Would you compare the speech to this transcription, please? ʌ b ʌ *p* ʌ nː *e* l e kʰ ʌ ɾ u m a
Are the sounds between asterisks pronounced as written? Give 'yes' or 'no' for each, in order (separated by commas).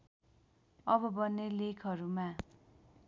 no, yes